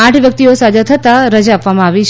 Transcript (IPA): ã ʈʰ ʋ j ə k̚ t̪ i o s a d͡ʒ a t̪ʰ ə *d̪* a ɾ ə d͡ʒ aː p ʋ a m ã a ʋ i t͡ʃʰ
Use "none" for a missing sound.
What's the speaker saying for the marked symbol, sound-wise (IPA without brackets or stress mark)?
t̪